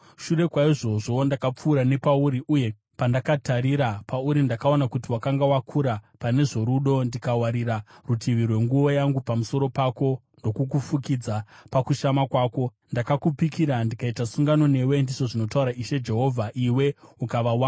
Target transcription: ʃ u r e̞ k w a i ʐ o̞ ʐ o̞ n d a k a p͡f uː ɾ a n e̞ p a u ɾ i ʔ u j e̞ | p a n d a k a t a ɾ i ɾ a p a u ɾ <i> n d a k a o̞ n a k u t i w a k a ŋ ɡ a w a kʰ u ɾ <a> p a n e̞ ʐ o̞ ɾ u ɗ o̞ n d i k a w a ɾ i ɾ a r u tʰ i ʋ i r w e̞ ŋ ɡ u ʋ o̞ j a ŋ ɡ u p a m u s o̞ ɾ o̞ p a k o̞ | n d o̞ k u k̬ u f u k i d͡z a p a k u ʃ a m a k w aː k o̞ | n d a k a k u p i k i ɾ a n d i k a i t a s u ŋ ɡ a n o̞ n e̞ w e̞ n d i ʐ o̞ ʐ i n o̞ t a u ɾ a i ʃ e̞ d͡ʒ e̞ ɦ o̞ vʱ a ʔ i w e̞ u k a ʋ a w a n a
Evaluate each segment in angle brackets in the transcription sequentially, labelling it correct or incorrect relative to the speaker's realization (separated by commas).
correct, correct